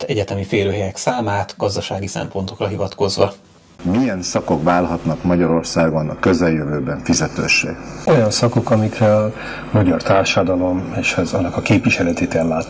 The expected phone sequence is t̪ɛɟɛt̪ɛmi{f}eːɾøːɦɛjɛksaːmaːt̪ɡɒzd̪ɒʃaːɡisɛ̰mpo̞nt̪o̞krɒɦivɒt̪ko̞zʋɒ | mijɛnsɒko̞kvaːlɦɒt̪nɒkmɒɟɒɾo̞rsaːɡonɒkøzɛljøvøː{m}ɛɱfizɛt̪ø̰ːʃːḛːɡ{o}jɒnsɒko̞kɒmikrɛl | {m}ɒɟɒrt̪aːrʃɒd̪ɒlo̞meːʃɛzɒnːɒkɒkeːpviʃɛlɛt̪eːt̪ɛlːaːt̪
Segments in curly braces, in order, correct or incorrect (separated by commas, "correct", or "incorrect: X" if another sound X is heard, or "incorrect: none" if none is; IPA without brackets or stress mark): correct, incorrect: b, correct, correct